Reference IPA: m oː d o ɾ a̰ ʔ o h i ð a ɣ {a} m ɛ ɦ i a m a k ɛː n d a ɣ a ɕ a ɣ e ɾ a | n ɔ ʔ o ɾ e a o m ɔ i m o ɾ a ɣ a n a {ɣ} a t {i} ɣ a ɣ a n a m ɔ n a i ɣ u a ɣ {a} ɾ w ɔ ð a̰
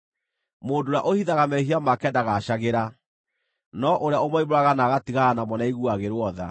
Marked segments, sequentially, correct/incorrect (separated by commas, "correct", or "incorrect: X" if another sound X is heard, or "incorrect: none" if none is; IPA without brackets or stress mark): correct, correct, correct, incorrect: e